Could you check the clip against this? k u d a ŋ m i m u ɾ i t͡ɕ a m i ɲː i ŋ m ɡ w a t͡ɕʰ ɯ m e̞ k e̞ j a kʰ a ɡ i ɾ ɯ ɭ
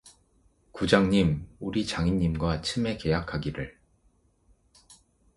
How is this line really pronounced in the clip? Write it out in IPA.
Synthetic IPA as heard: k u d͡ʑ a ŋ ɲ i m u ɾ i t͡ɕ a ŋ i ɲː i m ɡ w a t͡ɕʰ ɯ m e̞ k e̞ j a kʰ a ɡ i ɾ ɯ ɭ

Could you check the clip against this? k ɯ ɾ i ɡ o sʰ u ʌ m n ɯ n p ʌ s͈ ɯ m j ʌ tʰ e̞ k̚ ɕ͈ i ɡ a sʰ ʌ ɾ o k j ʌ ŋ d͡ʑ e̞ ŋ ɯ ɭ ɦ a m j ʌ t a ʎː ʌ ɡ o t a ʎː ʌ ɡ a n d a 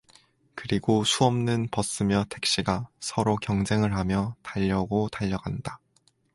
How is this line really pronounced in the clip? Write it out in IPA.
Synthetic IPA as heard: k ɯ ɾ i ɡ o sʰ u ʌ m n ɯ n p ʌ s͈ ɯ m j ʌ tʰ e̞ k̚ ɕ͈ i ɡ a sʰ ʌ ɾ o k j ʌ ŋ d͡ʑ e̞ ŋ ɯ ɭ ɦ a m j ʌ t a ʎː ʌ ɡ o t a ʎː ʌ ɡ a n d a

